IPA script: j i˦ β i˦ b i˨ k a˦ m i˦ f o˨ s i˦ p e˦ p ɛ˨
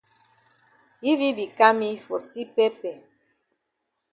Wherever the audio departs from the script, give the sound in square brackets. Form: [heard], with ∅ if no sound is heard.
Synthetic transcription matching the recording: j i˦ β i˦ b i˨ k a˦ m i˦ f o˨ s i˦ p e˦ p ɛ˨